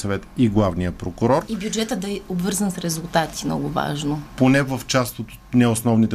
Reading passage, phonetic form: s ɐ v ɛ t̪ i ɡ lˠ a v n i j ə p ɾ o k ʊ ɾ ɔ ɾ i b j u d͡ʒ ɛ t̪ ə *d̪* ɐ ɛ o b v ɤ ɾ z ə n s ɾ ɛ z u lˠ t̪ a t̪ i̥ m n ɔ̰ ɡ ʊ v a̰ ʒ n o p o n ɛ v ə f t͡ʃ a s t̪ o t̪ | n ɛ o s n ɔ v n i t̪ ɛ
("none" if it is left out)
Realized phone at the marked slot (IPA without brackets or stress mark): d̪